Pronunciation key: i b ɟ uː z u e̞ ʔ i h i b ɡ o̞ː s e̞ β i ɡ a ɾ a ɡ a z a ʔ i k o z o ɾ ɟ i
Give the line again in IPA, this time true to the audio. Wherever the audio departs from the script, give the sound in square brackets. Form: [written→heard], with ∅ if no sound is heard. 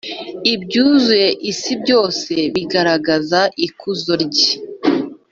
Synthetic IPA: i b ɟ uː z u e̞ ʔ i [h→s] i b [ɡ→ɟ] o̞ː s e̞ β i ɡ a ɾ a ɡ a z a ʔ i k [o→u] z o ɾ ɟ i